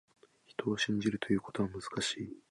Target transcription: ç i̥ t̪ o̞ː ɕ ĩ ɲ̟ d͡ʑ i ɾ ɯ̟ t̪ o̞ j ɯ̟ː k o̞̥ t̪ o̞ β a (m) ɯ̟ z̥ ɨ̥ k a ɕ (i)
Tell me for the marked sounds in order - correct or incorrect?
correct, incorrect: iː

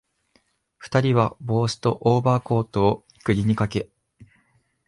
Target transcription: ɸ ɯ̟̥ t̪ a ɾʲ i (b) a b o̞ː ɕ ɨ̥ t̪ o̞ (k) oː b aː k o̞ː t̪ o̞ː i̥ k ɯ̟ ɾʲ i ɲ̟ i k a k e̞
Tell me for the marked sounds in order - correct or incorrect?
incorrect: β, incorrect: ʔ

